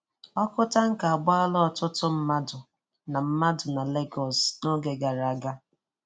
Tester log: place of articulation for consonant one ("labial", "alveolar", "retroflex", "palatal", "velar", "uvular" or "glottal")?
velar